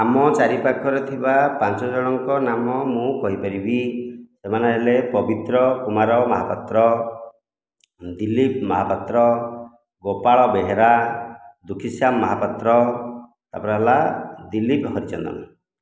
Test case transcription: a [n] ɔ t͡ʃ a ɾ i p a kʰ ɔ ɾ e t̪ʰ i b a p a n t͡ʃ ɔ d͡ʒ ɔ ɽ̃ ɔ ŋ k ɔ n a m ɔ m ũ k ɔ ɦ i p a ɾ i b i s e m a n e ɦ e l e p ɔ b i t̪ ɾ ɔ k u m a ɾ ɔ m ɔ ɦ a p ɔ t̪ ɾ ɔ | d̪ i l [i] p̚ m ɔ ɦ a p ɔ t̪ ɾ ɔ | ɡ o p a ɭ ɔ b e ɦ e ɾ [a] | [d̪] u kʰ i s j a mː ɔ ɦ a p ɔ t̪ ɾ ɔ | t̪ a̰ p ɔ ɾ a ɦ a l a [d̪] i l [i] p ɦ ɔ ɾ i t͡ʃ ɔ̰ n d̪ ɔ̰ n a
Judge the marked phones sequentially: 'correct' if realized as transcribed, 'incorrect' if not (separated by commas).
incorrect, correct, correct, correct, correct, correct